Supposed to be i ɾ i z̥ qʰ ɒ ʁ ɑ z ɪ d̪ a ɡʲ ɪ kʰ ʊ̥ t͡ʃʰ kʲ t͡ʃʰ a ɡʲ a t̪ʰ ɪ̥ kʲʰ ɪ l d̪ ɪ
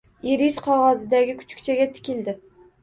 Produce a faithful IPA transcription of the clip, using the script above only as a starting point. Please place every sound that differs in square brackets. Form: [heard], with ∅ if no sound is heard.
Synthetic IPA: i ɾ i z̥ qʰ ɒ ʁ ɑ z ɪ d̪ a ɡʲ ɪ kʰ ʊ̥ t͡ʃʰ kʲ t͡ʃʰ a ɡʲ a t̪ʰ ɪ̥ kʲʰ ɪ l d̪ ɪ